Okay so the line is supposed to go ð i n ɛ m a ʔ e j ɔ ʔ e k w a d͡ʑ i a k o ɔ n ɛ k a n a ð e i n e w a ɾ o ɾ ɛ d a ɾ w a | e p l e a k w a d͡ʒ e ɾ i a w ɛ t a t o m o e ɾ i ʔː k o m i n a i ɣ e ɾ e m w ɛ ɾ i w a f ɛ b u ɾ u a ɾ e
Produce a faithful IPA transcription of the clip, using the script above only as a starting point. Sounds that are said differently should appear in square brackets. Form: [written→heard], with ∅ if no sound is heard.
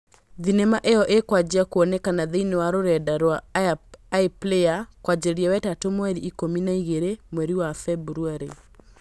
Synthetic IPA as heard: ð i n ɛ m a ʔ e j ɔ ʔ e k w a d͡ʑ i a k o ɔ n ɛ k a n a ð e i n e w a ɾ o ɾ ɛ d a ɾ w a | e p l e a k w a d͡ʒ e ɾ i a w ɛ t a t o m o [e→ɛ] ɾ i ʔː k o m i n a i ɣ e ɾ e m w ɛ ɾ i w a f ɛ b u ɾ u a ɾ e